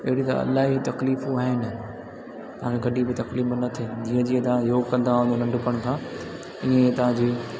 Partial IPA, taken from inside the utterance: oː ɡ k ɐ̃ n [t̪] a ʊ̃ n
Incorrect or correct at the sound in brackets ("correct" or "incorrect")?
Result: incorrect